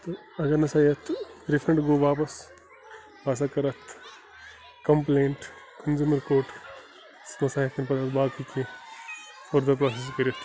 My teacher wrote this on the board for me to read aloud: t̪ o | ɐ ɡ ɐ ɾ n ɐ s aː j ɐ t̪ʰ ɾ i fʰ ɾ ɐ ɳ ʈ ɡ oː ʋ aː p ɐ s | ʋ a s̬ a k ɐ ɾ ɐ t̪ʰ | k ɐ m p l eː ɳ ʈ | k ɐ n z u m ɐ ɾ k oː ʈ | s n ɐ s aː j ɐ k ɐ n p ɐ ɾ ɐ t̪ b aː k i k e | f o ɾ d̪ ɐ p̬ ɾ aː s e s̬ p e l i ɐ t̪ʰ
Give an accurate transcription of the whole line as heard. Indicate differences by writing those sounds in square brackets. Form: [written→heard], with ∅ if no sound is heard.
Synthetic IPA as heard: t̪ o | ɐ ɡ ɐ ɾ n ɐ s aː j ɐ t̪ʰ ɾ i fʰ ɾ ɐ ɳ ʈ ɡ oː ʋ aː p ɐ s | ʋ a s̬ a k ɐ ɾ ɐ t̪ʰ | k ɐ m p l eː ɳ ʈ | k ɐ n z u m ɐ ɾ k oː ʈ | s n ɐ s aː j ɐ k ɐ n p ɐ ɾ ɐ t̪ b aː k i k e | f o ɾ d̪ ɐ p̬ ɾ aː s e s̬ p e [l→ɾ] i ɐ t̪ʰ